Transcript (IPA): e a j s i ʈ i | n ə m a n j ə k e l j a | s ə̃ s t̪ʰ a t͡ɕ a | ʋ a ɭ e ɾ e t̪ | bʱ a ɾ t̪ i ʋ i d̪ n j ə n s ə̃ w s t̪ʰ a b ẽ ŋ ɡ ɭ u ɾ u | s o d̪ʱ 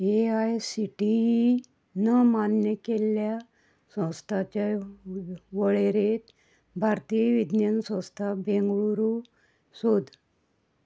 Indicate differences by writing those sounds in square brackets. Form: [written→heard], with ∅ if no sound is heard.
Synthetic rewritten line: e a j s i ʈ i | n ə m a n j ə k e l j a | s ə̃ s t̪ʰ a t͡ɕ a | ʋ [a→ə] ɭ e ɾ e t̪ | bʱ a ɾ t̪ i ʋ i d̪ n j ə n s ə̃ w s t̪ʰ a b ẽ ŋ ɡ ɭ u ɾ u | s o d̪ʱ